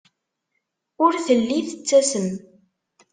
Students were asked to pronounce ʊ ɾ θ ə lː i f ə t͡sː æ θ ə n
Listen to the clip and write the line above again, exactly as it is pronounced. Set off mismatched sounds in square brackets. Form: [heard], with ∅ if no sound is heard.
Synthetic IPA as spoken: ʊ ɾ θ ə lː i [θ] ə t͡sː æ [s] ə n